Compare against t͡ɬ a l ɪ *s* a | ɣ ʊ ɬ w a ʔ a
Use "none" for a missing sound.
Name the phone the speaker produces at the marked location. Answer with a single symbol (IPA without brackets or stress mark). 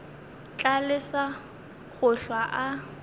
s